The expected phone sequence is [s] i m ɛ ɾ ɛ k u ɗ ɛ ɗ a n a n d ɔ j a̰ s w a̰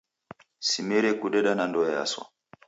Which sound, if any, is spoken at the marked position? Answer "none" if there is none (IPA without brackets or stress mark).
s